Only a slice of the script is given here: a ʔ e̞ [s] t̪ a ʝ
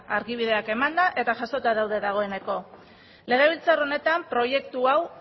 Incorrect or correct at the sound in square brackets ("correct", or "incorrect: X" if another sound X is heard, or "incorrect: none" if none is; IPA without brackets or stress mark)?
incorrect: none